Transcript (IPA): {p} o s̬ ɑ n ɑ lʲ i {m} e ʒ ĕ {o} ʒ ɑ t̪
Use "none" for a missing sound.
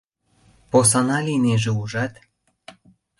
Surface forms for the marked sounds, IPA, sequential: p, n, u

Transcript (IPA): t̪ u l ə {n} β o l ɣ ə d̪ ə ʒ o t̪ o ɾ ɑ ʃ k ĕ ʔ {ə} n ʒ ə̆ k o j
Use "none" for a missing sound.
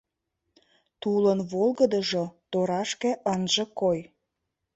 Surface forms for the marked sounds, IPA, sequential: n, ə

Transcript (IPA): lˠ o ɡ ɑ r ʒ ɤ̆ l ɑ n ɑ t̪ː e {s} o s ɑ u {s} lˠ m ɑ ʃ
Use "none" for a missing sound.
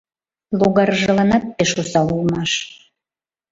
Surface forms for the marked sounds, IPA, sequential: ʃ, none

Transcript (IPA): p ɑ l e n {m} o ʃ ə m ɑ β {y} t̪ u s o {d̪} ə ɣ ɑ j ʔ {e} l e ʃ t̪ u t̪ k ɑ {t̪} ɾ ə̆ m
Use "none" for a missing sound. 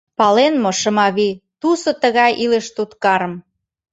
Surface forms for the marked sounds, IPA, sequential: m, i, t̪, i, none

